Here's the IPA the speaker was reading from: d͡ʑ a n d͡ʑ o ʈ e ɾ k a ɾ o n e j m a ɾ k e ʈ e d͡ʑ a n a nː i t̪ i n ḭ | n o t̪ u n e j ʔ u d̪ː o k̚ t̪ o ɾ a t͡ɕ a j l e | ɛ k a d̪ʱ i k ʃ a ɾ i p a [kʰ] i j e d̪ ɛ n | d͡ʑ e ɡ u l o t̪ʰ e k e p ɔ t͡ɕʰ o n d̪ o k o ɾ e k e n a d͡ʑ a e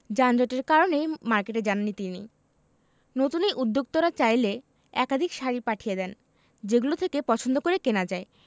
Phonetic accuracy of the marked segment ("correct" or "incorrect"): incorrect